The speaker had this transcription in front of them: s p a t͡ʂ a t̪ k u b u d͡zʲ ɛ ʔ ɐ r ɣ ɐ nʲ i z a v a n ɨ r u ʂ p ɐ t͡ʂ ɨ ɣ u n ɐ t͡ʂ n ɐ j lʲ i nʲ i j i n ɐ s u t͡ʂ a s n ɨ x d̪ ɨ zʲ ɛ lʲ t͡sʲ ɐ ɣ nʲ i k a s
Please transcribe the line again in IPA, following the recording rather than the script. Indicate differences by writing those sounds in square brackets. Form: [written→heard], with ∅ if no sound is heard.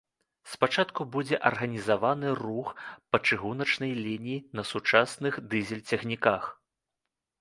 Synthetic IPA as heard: s p a t͡ʂ a t̪ k u b u d͡zʲ ɛ ʔ ɐ r ɣ ɐ nʲ i z a v a n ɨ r u [ʂ→x] p ɐ t͡ʂ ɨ ɣ u n ɐ t͡ʂ n ɐ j lʲ i nʲ i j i n ɐ s u t͡ʂ a s n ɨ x d̪ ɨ zʲ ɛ lʲ t͡sʲ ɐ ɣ nʲ i k a [s→x]